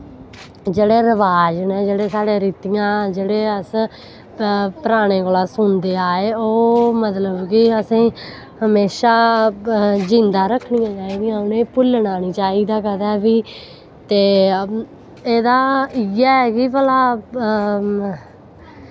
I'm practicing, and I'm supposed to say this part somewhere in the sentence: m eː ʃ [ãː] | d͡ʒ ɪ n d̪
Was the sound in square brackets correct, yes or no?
no